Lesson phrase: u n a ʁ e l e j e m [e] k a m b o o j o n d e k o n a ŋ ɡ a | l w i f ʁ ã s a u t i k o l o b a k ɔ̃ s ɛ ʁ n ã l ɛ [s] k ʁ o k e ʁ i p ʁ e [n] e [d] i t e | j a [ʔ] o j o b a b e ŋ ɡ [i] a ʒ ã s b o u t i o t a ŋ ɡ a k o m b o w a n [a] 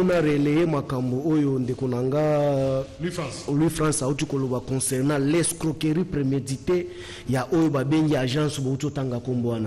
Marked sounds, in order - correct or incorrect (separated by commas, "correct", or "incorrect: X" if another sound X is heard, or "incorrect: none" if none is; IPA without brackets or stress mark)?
incorrect: a, correct, incorrect: m, correct, correct, correct, correct